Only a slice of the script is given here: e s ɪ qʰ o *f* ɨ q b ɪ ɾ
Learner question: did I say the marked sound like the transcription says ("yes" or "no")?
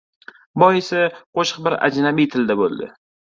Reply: no